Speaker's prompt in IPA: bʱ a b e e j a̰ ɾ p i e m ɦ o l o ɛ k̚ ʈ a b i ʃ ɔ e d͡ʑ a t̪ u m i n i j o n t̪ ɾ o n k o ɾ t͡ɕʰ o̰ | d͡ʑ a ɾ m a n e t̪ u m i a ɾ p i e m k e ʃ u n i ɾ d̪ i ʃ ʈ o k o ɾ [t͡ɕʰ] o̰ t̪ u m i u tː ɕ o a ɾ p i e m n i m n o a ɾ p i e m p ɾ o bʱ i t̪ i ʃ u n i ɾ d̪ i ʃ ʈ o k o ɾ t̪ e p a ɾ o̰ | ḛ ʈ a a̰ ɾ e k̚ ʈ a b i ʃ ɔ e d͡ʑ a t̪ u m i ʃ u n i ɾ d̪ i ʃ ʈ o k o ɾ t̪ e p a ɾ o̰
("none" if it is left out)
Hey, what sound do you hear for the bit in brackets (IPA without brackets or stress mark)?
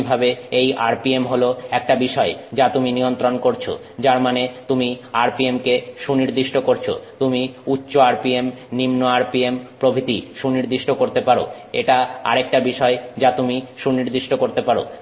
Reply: t͡ɕʰ